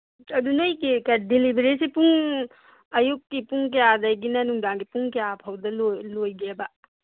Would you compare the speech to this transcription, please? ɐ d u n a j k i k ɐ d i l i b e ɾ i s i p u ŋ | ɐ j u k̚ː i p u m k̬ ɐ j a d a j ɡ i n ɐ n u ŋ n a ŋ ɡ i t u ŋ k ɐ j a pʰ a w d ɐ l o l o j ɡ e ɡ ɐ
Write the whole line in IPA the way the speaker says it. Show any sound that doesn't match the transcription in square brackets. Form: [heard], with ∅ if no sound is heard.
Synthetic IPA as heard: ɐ d u n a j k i k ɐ d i l i b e ɾ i s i p u ŋ | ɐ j u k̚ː i p u [ŋ] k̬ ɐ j a d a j ɡ i n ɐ n u ŋ [d] a ŋ ɡ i [p] u ŋ k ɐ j a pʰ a w d ɐ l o l o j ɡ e [b] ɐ